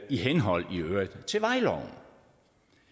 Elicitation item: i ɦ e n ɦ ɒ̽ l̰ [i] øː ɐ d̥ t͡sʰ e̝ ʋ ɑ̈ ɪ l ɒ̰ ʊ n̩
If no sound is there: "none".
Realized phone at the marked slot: i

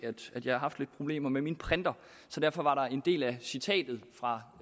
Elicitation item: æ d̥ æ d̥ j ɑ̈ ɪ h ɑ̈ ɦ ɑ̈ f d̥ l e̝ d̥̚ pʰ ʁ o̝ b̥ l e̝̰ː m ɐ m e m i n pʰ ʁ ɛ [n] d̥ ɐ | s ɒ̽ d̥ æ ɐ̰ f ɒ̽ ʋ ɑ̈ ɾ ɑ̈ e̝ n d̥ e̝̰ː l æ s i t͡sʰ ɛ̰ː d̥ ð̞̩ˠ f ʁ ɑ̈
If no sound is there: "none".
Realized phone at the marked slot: n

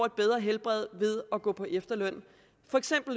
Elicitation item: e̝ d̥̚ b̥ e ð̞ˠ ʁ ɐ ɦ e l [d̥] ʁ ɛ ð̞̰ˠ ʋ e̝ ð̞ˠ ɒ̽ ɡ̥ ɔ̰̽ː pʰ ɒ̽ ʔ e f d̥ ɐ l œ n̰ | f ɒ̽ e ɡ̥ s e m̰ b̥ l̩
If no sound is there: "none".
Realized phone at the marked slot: b̥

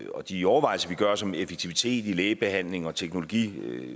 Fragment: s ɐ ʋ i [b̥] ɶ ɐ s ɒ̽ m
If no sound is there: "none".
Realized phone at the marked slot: ɡ̥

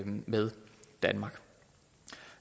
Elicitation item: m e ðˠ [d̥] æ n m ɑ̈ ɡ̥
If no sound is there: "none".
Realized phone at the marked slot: d̥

